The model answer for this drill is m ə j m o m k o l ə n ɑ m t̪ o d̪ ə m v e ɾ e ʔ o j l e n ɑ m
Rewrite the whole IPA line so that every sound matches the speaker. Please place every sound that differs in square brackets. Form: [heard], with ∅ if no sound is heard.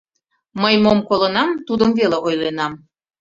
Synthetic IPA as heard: m ə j m o m k o l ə n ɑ m t̪ [u] d̪ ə m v e [l] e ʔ o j l e n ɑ m